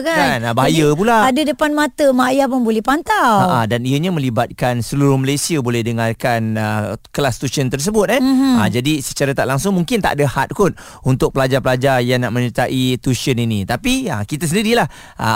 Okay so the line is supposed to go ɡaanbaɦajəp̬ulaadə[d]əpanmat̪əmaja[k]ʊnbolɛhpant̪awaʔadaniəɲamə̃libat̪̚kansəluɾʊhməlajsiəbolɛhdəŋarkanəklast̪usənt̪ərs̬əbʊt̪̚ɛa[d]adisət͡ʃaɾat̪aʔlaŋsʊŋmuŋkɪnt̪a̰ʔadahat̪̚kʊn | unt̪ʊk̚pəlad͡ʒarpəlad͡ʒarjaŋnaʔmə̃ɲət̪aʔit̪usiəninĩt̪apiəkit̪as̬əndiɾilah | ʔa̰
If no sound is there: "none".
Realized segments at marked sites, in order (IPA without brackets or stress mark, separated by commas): d, p, d͡ʒ